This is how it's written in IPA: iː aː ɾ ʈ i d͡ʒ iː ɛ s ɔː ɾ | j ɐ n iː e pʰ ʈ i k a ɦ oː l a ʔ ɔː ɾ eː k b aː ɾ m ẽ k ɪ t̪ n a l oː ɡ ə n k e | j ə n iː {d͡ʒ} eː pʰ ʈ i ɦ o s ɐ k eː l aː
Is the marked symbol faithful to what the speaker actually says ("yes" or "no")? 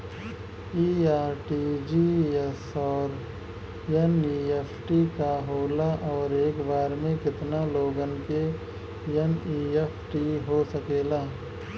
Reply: no